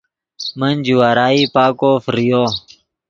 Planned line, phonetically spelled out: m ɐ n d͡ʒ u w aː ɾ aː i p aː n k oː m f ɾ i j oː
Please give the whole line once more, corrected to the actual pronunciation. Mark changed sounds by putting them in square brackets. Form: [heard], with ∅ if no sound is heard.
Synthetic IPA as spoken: m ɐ n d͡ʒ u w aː ɾ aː i p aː [∅] k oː [∅] f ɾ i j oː